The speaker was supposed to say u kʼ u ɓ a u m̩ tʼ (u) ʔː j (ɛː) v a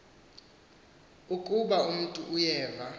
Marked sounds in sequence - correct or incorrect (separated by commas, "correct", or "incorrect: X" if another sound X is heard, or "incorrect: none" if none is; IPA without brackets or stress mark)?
correct, correct